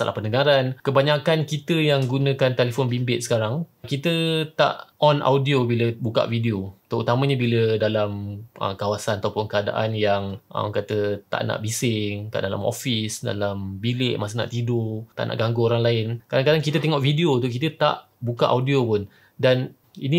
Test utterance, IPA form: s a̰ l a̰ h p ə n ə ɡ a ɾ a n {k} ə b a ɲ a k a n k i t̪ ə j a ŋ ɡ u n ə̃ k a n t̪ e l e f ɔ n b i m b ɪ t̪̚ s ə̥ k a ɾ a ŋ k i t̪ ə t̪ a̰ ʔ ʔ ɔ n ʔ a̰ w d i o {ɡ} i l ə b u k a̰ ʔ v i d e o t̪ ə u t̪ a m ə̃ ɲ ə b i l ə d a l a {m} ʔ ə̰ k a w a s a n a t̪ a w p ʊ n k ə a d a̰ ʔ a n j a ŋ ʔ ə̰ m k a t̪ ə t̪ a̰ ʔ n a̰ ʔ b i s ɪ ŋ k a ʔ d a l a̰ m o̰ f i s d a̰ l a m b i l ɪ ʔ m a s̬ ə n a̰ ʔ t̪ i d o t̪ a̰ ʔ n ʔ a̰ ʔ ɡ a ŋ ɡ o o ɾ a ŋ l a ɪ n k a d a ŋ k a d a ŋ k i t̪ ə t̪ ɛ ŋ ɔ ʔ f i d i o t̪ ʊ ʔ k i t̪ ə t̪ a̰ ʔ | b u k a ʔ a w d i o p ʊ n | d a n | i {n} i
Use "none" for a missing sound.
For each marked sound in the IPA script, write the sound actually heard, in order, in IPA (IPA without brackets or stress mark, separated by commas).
k, b, m, n